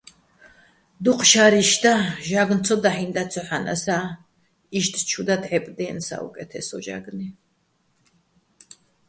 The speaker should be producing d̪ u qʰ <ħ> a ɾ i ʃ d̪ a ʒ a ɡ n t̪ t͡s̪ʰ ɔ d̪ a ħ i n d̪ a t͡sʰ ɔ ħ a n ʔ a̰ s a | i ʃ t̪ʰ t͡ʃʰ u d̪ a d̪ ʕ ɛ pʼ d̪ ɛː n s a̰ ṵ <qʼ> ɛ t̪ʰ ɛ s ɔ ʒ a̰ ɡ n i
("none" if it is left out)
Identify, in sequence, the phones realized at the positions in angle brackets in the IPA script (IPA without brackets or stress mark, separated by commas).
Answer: ʃ, kʼ